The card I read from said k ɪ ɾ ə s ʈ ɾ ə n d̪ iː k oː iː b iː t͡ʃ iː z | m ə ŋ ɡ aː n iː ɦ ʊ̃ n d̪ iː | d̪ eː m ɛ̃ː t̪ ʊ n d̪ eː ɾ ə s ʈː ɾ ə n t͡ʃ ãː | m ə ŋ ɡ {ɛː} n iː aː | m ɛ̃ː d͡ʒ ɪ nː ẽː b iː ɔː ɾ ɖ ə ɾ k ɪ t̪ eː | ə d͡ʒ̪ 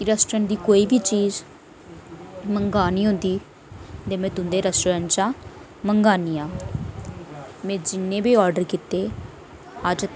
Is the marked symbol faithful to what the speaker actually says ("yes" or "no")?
no